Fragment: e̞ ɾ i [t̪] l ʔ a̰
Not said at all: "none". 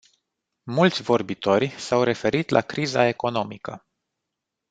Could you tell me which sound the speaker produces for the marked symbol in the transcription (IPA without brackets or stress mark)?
t̪